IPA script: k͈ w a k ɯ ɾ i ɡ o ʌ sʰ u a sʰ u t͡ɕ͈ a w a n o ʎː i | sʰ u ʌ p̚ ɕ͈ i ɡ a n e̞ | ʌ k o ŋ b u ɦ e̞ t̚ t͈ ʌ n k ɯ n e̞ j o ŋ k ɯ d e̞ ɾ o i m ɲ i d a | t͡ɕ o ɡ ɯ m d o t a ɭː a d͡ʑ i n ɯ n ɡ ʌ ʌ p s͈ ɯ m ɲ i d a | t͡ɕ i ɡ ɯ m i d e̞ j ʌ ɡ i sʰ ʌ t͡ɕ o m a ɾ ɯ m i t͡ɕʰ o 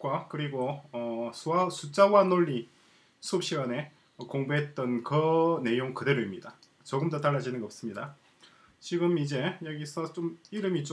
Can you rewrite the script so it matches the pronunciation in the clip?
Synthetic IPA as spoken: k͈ w a k ɯ ɾ i ɡ o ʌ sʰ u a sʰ u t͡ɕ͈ a w a n o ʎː i | sʰ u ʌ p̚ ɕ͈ i ɡ a n e̞ | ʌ k o ŋ b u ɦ e̞ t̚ t͈ ʌ n k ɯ n e̞ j o ŋ k ɯ d e̞ ɾ o i m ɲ i d a | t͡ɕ o ɡ ɯ m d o t a ɭː a d͡ʑ i n ɯ n ɡ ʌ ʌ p s͈ ɯ m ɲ i d a | t͡ɕ i ɡ ɯ m i d͡ʑ e̞ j ʌ ɡ i sʰ ʌ t͡ɕ o m i ɾ ɯ m i t͡ɕ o

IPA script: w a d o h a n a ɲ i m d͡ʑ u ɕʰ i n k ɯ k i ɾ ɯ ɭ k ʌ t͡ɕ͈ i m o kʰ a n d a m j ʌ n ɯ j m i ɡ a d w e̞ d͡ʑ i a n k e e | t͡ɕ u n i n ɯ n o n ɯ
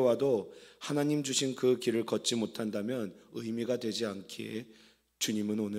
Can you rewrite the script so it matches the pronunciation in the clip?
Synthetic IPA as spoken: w a d o h a n a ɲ i m d͡ʑ u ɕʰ i n k ɯ k i ɾ ɯ ɭ k ʌ t͡ɕ͈ i m o tʰ a n d a m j ʌ n ɯ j m i ɡ a d w e̞ d͡ʑ i a n kʰ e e | t͡ɕ u ɲ i m ɯ n o n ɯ

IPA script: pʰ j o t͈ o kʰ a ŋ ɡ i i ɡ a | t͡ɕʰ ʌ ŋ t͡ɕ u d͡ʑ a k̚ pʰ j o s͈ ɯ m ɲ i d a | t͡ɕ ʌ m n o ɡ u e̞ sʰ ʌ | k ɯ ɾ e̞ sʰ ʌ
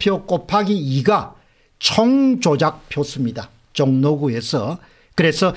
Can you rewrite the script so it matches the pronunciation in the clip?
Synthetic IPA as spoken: pʰ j o k͈ o pʰ a ɡ i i ɡ a | t͡ɕʰ ʌ ŋ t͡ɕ o d͡ʑ a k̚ pʰ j o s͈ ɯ m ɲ i d a | t͡ɕ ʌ ŋ n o ɡ u e̞ sʰ ʌ | k ɯ ɾ e̞ sʰ ʌ

